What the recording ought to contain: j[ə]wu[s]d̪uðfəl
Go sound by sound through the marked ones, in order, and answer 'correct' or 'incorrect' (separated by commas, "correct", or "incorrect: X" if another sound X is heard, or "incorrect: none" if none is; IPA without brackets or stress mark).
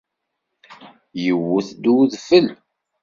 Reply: correct, incorrect: θ